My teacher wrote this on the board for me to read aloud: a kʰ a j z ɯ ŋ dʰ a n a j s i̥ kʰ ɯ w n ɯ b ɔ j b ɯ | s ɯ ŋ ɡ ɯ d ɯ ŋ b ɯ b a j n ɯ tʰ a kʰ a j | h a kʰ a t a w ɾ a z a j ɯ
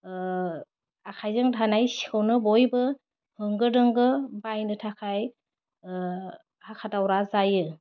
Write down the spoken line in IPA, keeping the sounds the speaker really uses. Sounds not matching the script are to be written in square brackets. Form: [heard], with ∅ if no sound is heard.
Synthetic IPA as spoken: a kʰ a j z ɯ ŋ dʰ a n a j s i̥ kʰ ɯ w n ɯ b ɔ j b ɯ | [h] ɯ ŋ ɡ ɯ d ɯ ŋ [ɡ] ɯ b a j n ɯ tʰ a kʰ a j | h a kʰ a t a w ɾ a z a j ɯ